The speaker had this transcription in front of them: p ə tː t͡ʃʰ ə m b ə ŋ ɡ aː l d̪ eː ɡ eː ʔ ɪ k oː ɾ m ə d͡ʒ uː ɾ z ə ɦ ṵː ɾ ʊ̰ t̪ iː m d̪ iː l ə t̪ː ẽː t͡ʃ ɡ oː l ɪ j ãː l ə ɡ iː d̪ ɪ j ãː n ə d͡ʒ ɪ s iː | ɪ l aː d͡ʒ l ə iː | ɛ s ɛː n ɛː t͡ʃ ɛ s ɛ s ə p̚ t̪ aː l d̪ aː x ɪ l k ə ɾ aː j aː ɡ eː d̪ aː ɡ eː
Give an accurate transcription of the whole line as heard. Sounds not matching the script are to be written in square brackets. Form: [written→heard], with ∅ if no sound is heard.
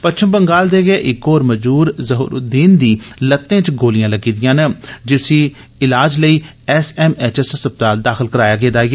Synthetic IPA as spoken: p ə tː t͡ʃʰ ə m b ə ŋ ɡ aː l d̪ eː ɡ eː ʔ ɪ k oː ɾ m ə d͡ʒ uː ɾ z ə ɦ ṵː ɾ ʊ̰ [t̪→d̪] iː [m→n] d̪ iː l ə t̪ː ẽː t͡ʃ ɡ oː l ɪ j ãː l ə ɡ iː d̪ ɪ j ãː n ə d͡ʒ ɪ s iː | ɪ l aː d͡ʒ l ə iː | ɛ s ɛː [n→m] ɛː t͡ʃ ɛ s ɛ s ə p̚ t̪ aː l d̪ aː x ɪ l k ə ɾ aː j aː ɡ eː d̪ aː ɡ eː